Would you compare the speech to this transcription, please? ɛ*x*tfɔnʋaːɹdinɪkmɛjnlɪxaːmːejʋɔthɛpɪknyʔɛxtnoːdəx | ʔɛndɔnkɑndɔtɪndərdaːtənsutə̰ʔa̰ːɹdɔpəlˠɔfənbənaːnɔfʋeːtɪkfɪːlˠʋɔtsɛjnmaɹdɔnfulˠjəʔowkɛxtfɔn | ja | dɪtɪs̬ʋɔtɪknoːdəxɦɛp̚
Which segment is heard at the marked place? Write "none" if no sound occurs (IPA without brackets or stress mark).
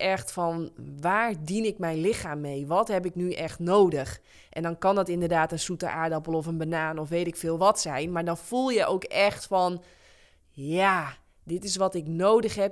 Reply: x